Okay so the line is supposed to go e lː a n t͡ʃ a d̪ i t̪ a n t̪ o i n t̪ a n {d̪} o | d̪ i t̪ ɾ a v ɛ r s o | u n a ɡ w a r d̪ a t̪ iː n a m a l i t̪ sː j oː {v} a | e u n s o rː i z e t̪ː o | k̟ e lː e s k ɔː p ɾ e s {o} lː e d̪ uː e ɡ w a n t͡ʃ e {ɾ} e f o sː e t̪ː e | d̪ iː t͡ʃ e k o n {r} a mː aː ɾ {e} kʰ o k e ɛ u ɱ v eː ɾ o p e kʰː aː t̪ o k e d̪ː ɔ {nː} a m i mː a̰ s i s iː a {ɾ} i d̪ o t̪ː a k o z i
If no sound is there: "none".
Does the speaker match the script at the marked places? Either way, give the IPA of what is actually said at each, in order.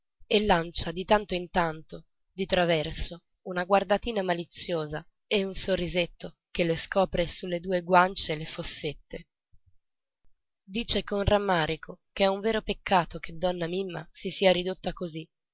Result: t̪, z, u, l, r, i, nː, ɾ

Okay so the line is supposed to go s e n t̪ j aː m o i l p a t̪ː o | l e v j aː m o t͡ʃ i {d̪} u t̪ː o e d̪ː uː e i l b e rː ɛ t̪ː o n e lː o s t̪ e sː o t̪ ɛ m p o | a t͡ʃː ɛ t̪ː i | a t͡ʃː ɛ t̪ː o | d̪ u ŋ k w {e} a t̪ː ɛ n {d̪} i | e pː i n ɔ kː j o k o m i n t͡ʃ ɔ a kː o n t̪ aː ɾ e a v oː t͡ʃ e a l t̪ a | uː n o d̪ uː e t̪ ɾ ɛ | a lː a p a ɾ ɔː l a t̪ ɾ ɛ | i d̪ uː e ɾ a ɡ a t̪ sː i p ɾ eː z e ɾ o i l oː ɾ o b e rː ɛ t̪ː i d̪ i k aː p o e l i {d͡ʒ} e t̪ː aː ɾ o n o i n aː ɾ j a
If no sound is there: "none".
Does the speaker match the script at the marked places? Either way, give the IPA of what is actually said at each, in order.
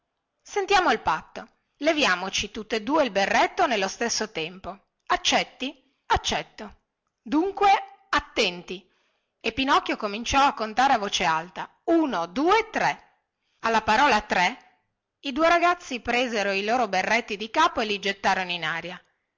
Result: t̪, e, t̪, d͡ʒ

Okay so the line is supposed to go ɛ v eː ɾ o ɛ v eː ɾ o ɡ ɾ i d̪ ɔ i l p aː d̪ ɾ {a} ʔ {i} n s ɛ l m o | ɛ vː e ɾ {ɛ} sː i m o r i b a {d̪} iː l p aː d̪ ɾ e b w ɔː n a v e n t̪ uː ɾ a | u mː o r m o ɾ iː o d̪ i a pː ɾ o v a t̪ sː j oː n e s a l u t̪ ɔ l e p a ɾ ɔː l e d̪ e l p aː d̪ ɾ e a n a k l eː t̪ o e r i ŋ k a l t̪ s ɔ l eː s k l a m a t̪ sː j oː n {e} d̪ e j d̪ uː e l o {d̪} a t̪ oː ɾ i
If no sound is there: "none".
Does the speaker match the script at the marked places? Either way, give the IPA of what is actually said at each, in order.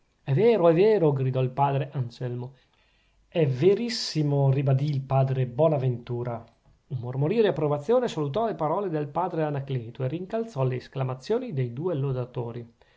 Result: e, a, i, d̪, i, d̪

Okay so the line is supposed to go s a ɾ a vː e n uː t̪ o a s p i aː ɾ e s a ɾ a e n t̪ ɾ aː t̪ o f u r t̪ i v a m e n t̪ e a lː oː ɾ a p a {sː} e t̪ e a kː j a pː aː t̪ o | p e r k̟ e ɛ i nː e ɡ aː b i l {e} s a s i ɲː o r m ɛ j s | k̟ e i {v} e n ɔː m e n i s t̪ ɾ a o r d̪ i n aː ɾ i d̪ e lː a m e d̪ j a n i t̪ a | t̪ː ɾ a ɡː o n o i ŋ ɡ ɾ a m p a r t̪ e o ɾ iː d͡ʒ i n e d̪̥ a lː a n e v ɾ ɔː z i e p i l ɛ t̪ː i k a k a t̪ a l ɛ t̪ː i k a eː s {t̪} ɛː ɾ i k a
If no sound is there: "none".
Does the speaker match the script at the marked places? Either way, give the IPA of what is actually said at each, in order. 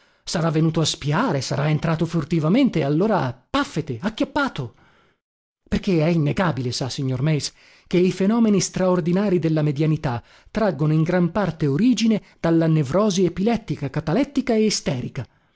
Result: fː, e, f, t̪

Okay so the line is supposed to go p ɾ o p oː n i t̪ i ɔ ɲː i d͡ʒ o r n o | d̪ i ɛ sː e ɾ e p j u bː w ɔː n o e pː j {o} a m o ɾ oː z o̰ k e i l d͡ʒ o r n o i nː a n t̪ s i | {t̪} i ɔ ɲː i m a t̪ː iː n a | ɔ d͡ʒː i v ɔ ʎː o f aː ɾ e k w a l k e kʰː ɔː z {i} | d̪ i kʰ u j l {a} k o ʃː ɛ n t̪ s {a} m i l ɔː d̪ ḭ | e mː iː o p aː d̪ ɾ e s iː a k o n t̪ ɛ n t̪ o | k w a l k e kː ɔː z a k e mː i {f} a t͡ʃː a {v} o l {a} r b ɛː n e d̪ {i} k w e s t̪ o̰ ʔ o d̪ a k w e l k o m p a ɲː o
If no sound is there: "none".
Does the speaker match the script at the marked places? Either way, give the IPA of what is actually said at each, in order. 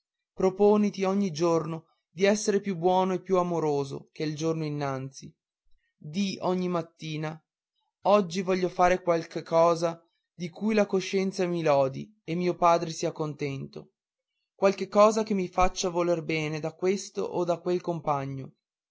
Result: u, d̪, a, a, a, f, v, e, a

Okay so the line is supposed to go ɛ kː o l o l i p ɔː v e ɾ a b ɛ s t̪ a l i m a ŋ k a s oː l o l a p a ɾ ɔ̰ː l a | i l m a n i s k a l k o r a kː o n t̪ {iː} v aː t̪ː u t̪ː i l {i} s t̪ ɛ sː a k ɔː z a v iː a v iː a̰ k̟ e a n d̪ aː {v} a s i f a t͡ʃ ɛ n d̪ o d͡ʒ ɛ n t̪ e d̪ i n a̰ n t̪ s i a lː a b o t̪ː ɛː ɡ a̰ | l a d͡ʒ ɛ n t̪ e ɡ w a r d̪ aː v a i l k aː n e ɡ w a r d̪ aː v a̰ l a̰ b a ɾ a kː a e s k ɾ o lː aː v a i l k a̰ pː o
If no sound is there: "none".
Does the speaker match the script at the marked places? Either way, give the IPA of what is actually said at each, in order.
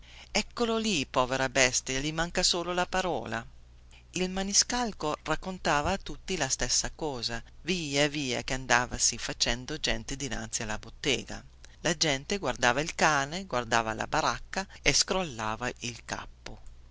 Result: aː, a, v

